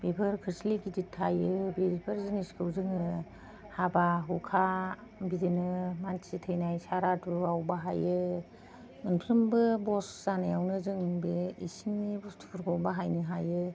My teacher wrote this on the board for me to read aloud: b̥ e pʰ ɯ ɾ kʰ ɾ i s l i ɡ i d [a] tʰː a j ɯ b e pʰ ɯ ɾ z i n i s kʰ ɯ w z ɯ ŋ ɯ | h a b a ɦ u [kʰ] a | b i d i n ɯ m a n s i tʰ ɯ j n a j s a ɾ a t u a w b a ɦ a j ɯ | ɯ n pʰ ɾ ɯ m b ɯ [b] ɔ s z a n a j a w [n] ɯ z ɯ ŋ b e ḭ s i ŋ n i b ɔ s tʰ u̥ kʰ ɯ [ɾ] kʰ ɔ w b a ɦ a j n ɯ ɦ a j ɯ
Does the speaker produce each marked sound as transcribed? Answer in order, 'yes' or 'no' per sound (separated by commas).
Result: no, yes, yes, yes, yes